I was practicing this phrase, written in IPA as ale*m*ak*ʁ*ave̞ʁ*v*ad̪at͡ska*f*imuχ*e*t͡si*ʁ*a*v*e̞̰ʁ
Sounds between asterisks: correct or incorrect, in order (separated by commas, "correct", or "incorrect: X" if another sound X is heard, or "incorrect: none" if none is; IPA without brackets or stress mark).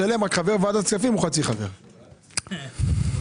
correct, incorrect: χ, correct, correct, incorrect: a, incorrect: χ, correct